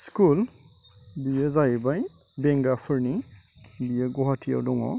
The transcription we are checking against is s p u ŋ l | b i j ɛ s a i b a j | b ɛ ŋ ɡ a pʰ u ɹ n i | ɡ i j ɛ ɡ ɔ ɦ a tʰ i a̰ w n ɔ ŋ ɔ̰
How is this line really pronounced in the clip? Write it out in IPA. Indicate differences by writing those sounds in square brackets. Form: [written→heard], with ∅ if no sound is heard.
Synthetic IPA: s [p→k] u [ŋ→∅] l | b i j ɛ [s→z] a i b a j | b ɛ ŋ ɡ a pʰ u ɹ n i | [ɡ→b] i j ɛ ɡ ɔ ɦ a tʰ i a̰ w [n→d] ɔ ŋ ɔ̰

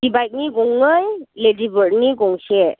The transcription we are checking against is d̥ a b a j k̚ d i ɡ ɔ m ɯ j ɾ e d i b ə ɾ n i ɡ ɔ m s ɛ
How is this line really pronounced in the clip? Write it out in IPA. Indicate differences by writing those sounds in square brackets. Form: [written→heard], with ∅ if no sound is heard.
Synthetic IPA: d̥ [a→i] b a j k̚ [d→n] i ɡ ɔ [m→ŋ] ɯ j [ɾ→l] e d i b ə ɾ n i ɡ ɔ [m→ŋ] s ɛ

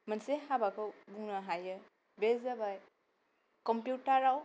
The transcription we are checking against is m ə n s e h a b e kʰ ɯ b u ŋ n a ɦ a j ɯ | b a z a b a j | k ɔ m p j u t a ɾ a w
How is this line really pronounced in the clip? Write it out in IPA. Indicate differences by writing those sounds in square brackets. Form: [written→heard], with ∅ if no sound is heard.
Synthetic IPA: m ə n s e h a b [e→a] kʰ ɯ b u ŋ n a ɦ a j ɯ | b [a→e] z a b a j | k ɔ m p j u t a ɾ a w

